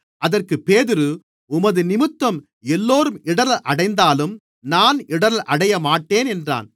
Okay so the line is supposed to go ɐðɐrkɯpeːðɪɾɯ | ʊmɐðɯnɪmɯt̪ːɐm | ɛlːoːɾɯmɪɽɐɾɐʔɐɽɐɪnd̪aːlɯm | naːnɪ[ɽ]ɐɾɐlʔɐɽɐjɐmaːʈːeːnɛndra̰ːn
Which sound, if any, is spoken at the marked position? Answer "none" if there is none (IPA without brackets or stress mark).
ɽ